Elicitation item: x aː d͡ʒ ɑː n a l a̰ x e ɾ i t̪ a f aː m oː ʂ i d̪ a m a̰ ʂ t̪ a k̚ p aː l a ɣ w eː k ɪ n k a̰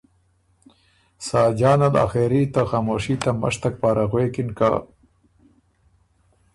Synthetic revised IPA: s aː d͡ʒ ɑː n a l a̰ x e ɾ i t̪ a x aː m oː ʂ i t̪ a m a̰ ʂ t̪ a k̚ p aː ɾ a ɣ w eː k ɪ n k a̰